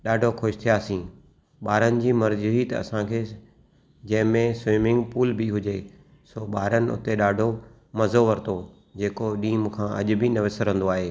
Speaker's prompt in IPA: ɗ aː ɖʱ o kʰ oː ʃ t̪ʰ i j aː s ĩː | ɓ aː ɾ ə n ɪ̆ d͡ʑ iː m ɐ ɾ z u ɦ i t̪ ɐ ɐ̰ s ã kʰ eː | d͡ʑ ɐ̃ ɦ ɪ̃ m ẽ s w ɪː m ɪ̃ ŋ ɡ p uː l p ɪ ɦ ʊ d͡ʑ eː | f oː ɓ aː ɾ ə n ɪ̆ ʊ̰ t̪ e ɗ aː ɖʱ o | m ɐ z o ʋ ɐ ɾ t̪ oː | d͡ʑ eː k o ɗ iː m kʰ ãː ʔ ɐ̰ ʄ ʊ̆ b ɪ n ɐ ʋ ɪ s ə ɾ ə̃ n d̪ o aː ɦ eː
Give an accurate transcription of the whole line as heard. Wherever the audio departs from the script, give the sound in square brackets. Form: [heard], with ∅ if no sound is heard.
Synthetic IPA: ɗ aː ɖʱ o kʰ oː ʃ t̪ʰ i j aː s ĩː | ɓ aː ɾ ə n ɪ̆ d͡ʑ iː m ɐ ɾ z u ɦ i t̪ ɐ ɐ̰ s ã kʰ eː | d͡ʑ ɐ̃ ɦ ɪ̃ m ẽ s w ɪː m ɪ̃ ŋ ɡ p uː l [b] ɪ ɦ ʊ d͡ʑ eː | [s] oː ɓ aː ɾ ə n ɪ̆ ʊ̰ t̪ e ɗ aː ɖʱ o | m ɐ z o ʋ ɐ ɾ t̪ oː | d͡ʑ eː k o ɗ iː m kʰ ãː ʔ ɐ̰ ʄ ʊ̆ b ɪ n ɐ ʋ ɪ s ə ɾ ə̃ n d̪ o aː ɦ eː